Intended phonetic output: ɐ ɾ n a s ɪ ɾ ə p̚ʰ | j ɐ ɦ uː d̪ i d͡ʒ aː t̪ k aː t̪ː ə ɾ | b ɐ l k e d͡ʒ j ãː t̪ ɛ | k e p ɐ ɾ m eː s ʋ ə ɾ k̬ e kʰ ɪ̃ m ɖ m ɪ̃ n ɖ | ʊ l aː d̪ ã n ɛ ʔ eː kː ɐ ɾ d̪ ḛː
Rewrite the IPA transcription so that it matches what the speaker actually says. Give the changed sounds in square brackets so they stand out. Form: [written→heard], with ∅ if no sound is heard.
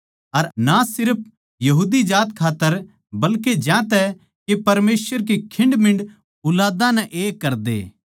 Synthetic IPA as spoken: ɐ ɾ n a s ɪ ɾ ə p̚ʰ | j ɐ ɦ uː d̪ i d͡ʒ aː t̪ [k→kʰ] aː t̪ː ə ɾ | b ɐ l k e d͡ʒ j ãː t̪ ɛ | k e p ɐ ɾ m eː s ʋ ə ɾ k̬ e kʰ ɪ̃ [m→ɳ] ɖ m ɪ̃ [n→ɳ] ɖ | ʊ l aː d̪ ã n ɛ ʔ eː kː ɐ ɾ d̪ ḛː